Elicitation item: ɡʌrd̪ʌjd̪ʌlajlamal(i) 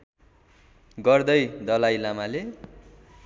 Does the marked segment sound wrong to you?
yes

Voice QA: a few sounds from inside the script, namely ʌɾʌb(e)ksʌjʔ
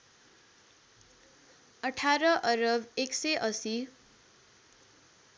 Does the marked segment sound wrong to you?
no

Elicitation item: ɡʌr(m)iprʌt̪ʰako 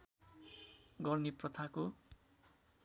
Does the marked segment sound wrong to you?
yes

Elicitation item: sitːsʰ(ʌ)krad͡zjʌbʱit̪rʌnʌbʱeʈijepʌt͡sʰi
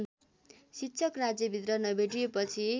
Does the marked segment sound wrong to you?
no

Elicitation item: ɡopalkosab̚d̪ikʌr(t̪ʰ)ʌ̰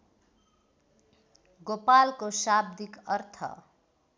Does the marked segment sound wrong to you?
no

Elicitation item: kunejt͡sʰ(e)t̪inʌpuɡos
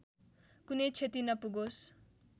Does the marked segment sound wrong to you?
no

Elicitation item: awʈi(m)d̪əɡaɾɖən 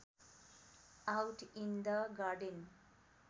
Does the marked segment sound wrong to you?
yes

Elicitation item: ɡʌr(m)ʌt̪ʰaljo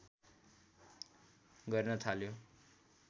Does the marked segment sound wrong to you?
yes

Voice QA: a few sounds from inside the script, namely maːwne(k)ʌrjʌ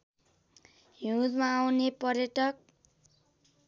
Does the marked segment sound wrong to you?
yes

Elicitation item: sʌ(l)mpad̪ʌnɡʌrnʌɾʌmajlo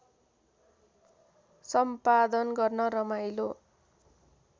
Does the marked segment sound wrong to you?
yes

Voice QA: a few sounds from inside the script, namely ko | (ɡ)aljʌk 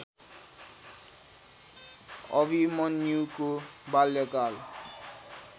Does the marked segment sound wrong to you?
yes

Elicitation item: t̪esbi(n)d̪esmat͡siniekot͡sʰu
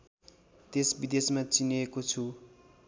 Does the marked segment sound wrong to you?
yes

